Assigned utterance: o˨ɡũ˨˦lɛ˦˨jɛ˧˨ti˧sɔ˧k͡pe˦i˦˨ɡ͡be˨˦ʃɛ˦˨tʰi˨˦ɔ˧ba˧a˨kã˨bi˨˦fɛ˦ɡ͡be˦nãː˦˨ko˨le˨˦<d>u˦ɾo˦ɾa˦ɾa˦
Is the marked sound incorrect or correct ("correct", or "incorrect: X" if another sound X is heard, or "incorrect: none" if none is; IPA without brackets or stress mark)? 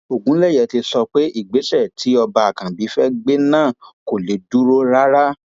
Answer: correct